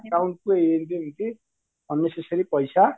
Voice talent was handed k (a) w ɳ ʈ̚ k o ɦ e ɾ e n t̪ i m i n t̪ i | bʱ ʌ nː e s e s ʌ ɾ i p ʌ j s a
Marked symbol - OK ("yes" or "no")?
yes